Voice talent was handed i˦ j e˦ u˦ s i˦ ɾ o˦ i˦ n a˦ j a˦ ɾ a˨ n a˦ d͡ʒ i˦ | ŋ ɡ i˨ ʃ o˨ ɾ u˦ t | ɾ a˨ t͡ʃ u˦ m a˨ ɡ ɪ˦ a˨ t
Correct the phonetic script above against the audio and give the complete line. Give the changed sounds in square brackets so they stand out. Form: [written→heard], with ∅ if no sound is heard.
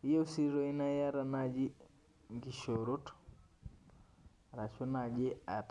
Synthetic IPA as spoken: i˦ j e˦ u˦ s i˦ ɾ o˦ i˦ n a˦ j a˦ ɾ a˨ n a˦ d͡ʒ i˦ | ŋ ɡ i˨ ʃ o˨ ɾ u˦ t | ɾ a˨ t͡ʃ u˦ [m→n] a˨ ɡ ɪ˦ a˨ t